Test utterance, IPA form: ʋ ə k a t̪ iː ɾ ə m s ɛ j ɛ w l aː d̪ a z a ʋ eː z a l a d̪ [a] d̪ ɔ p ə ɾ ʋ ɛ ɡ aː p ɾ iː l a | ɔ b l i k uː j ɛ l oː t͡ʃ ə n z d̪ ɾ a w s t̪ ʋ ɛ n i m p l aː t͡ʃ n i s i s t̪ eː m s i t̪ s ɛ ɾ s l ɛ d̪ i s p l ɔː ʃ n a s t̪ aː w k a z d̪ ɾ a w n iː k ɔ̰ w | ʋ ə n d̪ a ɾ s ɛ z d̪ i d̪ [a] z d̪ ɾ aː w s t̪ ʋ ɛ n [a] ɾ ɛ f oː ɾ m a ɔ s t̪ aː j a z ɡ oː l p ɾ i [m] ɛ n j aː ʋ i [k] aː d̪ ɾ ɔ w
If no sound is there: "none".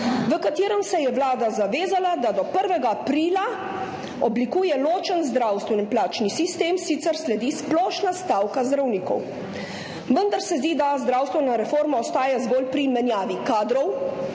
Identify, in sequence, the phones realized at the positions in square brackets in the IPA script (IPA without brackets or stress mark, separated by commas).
a, a, a, m, k